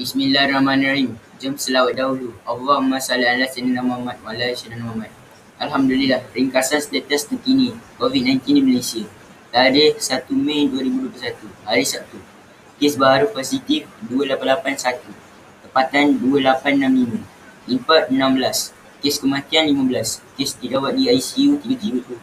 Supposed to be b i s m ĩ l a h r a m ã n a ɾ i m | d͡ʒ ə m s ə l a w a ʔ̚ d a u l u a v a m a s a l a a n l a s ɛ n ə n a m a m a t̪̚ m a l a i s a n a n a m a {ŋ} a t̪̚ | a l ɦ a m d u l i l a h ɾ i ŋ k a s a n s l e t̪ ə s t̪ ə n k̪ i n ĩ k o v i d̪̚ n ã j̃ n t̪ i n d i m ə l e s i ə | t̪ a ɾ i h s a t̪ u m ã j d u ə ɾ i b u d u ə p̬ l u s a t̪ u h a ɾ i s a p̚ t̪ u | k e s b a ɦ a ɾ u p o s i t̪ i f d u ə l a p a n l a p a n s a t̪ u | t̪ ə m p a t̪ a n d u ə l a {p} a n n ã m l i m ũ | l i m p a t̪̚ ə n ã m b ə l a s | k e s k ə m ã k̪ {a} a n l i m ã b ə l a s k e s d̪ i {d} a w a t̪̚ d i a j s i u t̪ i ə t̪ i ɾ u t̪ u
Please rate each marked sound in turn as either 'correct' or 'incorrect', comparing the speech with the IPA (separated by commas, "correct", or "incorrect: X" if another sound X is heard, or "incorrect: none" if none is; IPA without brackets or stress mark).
incorrect: m, correct, incorrect: i, correct